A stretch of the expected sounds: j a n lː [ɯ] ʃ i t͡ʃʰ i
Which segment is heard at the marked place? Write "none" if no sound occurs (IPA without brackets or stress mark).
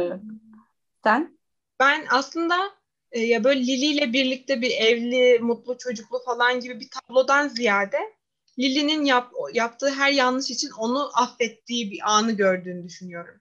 ɯ